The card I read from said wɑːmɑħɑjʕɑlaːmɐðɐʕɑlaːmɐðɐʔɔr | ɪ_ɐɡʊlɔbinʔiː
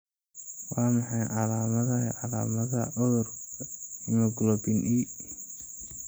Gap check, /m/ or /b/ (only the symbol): m